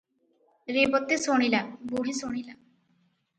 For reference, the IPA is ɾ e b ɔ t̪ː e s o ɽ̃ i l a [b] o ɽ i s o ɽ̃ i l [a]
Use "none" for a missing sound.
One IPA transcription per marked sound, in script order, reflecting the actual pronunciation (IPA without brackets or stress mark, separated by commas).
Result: b, a